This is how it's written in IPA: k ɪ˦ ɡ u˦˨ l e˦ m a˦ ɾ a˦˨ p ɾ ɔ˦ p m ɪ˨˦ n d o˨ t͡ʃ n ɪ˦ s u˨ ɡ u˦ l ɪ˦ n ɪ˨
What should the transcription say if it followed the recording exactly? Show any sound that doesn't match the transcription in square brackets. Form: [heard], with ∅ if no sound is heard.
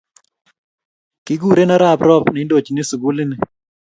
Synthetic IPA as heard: k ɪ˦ ɡ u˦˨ [ɾ] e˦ [n] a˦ ɾ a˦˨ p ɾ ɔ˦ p [n] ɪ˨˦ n d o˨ t͡ʃ n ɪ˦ s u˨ ɡ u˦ l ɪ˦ n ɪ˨

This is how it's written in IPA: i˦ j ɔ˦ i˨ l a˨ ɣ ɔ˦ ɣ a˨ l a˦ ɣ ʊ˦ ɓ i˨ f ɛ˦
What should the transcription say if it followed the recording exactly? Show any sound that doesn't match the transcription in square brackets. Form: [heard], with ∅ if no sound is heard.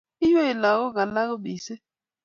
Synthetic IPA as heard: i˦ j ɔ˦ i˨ l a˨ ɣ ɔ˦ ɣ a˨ l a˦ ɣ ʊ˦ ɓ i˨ [s] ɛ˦

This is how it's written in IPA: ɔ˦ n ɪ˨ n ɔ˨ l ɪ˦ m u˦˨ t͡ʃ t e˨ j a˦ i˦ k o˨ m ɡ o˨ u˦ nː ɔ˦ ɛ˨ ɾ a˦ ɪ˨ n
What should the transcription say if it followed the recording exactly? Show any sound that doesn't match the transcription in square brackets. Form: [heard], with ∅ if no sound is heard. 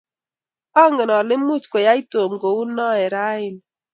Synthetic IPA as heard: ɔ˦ [ŋ] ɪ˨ n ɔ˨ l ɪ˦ m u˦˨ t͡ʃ [k] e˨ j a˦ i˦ [t] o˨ m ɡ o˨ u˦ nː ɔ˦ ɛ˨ ɾ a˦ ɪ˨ n

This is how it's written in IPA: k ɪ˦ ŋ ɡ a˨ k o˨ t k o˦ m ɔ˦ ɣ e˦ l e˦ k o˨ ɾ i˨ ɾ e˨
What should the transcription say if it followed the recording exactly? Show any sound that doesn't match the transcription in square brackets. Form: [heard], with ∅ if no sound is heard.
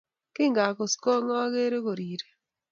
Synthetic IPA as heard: k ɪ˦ ŋ ɡ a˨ k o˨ [s] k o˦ [ŋ] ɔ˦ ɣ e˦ [ɾ] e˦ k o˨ ɾ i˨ ɾ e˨

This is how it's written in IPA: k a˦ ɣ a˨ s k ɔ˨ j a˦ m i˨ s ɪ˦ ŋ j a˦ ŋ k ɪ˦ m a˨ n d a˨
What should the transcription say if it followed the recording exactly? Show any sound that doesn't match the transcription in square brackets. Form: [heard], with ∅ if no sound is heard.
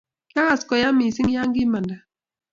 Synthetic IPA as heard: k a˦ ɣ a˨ s k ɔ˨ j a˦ m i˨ s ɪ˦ ŋ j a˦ ŋ [ɡ] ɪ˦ m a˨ n d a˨

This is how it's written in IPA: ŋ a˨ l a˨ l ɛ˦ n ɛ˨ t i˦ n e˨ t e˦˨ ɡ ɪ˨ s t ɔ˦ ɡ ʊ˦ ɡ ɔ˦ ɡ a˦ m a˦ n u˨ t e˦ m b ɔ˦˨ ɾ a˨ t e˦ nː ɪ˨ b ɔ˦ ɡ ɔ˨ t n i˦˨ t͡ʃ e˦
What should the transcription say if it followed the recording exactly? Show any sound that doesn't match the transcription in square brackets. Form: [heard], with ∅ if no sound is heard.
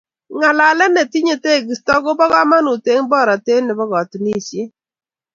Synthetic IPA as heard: ŋ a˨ l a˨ l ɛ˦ n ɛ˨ t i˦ [ɲ] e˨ t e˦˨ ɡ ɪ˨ s t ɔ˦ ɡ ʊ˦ [b] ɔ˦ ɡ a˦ m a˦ n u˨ t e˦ [ŋ] b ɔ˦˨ ɾ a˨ t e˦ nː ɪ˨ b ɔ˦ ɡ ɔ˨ t n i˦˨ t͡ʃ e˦

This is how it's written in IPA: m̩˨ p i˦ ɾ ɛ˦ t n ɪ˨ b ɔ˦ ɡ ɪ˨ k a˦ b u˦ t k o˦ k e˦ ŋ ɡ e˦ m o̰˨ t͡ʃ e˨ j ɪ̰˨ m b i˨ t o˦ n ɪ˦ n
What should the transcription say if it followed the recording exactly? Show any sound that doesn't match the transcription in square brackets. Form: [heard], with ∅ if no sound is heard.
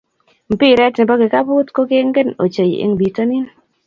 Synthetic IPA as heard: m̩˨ p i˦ ɾ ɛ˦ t n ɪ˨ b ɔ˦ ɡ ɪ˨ k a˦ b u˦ t k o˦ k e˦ ŋ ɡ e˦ [n] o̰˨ t͡ʃ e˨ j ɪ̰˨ [ŋ] b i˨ t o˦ n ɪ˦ n

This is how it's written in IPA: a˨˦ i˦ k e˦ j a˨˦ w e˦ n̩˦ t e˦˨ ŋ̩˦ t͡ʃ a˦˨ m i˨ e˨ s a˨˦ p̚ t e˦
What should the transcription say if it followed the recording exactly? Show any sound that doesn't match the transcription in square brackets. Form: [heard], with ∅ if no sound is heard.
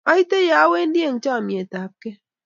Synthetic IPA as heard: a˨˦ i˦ [t] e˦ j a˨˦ w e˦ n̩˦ [d] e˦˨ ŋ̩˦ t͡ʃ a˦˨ m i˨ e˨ [t] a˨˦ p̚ [k] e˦

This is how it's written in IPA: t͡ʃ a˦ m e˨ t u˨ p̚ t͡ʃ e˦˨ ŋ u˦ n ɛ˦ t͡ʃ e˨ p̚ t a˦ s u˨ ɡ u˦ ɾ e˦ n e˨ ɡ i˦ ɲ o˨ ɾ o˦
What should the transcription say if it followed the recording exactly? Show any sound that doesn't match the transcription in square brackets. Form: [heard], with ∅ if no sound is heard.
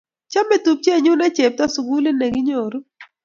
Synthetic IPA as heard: t͡ʃ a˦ m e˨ t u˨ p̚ t͡ʃ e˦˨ [ɲ] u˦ n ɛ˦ t͡ʃ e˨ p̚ t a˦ s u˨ ɡ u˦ [l] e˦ n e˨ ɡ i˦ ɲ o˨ ɾ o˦

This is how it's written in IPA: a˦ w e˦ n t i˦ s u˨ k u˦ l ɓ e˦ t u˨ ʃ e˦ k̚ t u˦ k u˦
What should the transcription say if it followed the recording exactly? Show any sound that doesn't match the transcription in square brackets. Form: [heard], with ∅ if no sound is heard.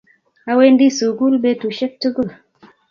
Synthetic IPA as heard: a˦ w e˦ n [d] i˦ s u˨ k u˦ l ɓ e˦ t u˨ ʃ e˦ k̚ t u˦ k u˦

